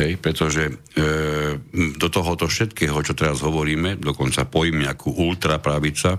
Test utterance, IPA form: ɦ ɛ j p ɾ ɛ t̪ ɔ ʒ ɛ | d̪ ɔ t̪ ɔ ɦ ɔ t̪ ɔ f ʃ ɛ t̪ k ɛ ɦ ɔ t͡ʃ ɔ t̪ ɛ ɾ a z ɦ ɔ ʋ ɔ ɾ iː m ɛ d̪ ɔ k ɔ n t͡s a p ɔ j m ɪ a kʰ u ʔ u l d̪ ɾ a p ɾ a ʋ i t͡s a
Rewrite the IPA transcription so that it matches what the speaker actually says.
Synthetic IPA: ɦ ɛ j p ɾ ɛ t̪ ɔ ʒ ɛ | d̪ ɔ t̪ ɔ ɦ ɔ t̪ ɔ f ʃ ɛ t̪ k ɛː ɦ ɔ t͡ʃ ɔ t̪ ɛ ɾ a z ɦ ɔ ʋ ɔ ɾ iː m ɛ d̪ ɔ k ɔ n t͡s a p ɔ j m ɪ a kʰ u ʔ u l t̪ ɾ a p ɾ a ʋ i t͡s a